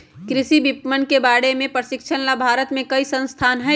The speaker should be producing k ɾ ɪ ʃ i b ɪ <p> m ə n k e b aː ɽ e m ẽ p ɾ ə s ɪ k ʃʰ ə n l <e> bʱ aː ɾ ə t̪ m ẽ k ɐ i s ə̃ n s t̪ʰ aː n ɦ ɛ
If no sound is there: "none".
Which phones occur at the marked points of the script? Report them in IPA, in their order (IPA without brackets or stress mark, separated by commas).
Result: p, a